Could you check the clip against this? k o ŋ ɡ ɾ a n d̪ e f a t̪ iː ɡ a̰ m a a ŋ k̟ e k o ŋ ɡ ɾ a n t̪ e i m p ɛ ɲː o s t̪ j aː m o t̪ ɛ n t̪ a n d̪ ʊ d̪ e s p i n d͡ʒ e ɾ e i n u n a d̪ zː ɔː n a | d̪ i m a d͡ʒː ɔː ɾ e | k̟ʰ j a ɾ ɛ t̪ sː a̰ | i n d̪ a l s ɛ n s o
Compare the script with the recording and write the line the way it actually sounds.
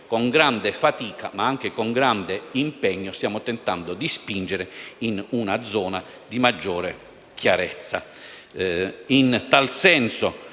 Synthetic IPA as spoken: k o ŋ ɡ ɾ a n d̪ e f a t̪ iː k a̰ m a a ŋ k̟ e k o ŋ ɡ ɾ a n d̪ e i m p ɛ ɲː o s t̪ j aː m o t̪ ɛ n t̪ a n d̪ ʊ d̪ i s p i n d͡ʒ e ɾ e i n u n a d̪ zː ɔː n a | d̪ i m a d͡ʒː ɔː ɾ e | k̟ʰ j a ɾ ɛ t̪ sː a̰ | i n t̪ a l s ɛ n s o